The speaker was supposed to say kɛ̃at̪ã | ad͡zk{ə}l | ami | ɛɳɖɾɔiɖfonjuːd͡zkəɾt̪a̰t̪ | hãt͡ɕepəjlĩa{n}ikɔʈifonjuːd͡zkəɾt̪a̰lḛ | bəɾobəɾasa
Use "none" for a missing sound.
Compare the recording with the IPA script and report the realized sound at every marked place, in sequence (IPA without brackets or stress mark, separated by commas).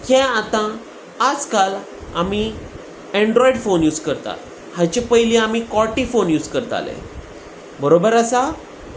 a, m